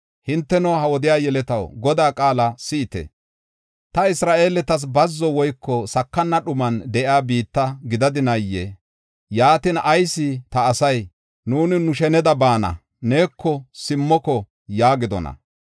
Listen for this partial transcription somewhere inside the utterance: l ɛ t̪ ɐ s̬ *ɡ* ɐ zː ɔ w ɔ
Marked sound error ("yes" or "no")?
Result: yes